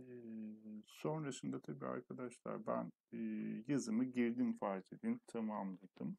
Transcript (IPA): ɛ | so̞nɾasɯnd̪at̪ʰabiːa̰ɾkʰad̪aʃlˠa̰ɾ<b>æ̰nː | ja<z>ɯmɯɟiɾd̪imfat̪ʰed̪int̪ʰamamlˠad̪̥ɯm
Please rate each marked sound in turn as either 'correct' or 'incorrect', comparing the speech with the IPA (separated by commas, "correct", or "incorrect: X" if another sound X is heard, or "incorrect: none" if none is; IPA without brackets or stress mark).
correct, correct